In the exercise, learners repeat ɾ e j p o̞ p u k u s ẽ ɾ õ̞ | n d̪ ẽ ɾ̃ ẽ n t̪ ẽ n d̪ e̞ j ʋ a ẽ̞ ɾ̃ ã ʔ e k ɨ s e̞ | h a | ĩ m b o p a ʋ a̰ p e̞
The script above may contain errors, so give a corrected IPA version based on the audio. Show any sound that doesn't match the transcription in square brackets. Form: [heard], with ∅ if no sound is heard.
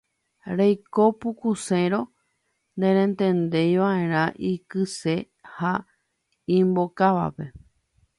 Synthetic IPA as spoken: ɾ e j [k] o̞ p u k u s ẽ ɾ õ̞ | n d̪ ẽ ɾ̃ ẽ n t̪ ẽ n d̪ e̞ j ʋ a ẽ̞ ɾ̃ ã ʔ [i] k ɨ s e̞ | h a | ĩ m b o [k] a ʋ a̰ p e̞